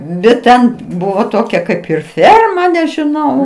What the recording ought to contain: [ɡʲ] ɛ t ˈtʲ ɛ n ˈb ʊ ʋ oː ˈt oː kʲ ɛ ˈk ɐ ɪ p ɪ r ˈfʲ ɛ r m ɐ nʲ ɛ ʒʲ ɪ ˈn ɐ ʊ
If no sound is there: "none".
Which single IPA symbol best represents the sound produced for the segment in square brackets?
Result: bʲ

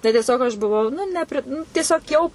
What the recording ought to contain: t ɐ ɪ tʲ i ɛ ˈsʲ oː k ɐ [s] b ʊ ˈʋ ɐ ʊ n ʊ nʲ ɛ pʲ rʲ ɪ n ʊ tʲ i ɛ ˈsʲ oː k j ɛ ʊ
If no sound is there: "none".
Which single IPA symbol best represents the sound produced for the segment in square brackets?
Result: ʃ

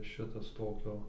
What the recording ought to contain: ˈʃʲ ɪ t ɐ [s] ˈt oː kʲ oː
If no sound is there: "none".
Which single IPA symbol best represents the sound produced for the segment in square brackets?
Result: s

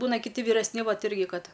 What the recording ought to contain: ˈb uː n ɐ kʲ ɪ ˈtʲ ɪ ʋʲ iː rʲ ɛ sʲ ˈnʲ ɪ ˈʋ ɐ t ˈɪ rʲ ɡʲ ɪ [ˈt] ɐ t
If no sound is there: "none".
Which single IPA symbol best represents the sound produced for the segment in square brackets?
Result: k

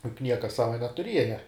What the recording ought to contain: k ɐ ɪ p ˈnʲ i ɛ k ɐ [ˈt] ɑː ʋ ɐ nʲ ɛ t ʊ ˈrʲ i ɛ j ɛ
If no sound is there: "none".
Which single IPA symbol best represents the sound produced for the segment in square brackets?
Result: s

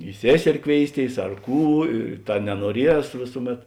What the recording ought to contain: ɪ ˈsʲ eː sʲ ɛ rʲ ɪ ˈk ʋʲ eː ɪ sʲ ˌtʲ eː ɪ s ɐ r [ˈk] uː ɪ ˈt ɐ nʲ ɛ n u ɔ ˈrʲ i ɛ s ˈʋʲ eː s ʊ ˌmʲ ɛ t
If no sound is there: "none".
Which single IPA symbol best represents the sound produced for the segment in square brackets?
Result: k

